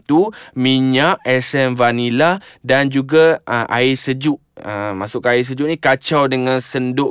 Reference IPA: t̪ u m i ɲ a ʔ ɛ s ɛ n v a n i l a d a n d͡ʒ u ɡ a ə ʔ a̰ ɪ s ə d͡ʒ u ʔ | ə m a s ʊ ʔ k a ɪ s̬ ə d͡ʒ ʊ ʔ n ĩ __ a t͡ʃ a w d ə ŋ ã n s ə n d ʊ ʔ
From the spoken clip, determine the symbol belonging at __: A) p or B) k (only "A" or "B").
B